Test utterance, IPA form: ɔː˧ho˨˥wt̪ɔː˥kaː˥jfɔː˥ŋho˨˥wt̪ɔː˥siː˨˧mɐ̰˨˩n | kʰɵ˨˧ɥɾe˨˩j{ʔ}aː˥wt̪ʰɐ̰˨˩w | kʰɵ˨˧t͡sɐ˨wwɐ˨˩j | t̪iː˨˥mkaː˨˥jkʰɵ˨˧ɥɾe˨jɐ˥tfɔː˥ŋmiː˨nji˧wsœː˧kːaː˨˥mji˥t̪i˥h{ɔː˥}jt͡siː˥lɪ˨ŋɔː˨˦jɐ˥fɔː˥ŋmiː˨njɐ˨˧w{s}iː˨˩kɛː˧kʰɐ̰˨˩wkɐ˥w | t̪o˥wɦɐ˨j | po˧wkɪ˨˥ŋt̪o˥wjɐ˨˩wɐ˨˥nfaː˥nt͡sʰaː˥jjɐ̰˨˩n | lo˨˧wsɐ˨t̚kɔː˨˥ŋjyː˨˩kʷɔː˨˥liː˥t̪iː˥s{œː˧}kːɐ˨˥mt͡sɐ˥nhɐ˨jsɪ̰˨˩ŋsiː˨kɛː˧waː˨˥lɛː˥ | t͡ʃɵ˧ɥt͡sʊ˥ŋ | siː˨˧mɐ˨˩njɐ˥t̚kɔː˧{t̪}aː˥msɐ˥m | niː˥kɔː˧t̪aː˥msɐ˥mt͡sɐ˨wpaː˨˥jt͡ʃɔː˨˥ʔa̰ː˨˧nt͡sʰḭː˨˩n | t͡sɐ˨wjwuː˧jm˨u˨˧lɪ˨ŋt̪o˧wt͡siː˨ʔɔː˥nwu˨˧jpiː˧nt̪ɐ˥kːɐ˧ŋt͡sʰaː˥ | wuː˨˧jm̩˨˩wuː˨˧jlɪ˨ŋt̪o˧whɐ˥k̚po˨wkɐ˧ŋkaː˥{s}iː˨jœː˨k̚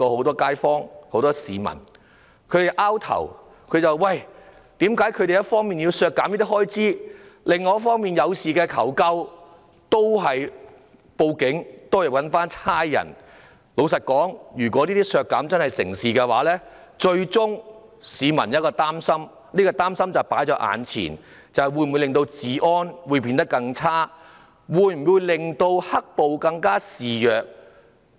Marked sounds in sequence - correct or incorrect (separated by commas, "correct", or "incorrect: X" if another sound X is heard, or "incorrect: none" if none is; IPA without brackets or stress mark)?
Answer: correct, correct, correct, correct, correct, correct